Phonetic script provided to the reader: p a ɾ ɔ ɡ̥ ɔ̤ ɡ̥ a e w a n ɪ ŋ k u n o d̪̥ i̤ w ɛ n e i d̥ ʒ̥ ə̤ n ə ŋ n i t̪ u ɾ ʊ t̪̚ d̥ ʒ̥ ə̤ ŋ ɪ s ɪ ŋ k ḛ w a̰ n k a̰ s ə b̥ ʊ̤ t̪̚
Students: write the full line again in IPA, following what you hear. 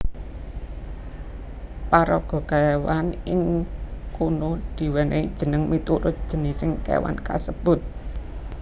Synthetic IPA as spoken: p a ɾ ɔ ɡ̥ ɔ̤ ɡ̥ a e w a n ɪ ŋ k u n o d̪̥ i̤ w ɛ n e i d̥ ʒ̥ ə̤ n ə ŋ m i t̪ u ɾ ʊ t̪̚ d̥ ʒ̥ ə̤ n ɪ s ɪ ŋ k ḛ w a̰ n k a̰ s ə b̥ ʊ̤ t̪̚